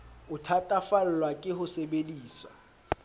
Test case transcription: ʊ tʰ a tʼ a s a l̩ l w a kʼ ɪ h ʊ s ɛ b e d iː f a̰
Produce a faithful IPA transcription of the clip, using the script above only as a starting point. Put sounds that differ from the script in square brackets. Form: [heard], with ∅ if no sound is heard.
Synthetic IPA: ʊ tʰ a tʼ a [f] a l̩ l w a kʼ ɪ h ʊ s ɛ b e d iː [s] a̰